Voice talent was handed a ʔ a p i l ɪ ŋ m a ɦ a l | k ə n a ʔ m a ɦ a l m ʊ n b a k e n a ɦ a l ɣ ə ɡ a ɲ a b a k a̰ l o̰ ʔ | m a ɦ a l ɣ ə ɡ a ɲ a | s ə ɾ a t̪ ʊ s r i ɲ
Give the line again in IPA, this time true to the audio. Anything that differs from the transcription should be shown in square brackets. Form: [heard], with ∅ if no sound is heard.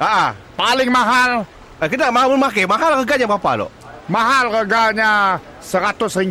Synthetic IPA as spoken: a ʔ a p [a] l ɪ ŋ m a ɦ a l | k ə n a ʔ m a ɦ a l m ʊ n [m] a k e [m] a ɦ a l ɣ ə ɡ a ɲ a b a [p] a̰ l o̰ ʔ | m a ɦ a l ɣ ə ɡ a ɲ a | s ə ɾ a t̪ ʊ s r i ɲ